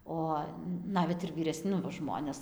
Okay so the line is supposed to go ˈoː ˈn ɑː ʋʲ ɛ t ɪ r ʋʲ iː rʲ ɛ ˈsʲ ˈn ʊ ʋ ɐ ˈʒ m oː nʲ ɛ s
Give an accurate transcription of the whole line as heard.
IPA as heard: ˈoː ˈn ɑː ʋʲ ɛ t ɪ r ʋʲ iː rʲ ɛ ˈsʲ ˈn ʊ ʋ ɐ ˈʒ m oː nʲ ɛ s